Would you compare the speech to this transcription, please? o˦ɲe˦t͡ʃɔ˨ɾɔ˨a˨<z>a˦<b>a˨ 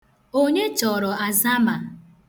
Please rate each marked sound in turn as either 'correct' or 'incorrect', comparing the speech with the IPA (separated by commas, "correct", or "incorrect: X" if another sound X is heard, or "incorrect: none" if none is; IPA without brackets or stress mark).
correct, incorrect: m